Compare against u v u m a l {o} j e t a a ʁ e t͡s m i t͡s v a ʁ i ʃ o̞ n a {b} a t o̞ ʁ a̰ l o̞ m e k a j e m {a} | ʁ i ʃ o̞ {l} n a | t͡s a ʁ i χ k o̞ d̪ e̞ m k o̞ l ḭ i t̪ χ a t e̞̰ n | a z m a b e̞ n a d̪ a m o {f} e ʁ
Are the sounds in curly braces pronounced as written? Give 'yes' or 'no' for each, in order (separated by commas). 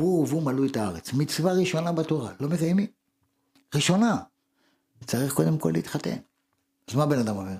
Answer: no, yes, no, no, no